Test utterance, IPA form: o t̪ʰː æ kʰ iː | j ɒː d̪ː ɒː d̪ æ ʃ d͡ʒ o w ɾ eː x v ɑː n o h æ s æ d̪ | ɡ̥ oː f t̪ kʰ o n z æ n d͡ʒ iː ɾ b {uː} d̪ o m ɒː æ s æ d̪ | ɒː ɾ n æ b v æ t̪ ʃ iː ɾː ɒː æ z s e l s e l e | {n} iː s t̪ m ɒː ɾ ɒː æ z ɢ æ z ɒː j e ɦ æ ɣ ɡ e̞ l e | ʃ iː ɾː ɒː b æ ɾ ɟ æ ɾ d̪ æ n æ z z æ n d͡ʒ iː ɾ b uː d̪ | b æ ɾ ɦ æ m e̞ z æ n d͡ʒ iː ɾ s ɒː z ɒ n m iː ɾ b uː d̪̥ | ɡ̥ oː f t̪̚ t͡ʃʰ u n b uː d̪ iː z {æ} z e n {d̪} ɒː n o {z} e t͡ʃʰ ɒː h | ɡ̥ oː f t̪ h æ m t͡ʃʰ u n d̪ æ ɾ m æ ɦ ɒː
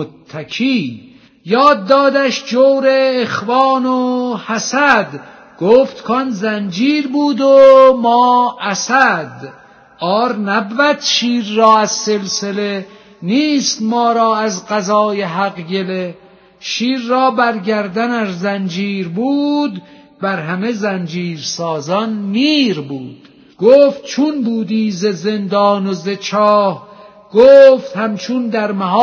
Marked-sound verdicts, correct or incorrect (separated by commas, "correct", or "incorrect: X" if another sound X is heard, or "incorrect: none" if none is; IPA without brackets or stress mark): correct, correct, incorrect: e, correct, correct